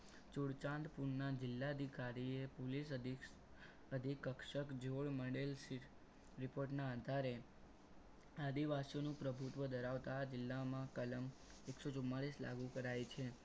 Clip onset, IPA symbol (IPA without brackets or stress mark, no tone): t͡ʃ